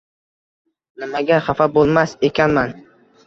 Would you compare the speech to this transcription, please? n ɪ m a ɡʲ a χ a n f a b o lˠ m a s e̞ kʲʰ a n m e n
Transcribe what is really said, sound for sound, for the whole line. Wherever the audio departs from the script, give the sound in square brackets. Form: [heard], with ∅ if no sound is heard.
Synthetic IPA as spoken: n ɪ m a ɡʲ a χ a [∅] f a b o lˠ m a s e̞ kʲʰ a n m [a] n